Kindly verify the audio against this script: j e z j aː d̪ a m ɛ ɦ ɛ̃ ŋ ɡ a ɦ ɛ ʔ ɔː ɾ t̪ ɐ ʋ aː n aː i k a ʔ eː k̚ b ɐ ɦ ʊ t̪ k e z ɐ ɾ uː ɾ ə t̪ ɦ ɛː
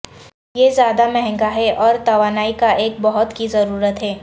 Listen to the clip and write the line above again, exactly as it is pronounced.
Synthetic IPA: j e z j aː d̪ a m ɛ ɦ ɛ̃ ŋ ɡ a ɦ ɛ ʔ ɔː ɾ t̪ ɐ ʋ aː n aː i k a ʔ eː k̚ b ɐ ɦ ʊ t̪ k i z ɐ ɾ uː ɾ ə t̪ ɦ ɛː